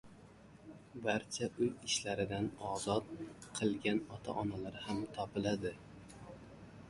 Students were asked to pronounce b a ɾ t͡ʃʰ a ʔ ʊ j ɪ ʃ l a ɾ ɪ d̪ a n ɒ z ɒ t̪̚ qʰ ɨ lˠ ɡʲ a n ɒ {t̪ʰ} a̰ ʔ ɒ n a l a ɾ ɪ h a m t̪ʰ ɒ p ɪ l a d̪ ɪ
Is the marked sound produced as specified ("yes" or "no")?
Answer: yes